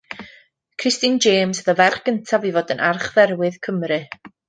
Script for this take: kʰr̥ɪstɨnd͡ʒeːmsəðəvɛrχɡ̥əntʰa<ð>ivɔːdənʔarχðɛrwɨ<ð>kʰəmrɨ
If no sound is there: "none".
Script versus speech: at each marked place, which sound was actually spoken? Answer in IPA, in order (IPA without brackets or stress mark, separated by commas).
v, ð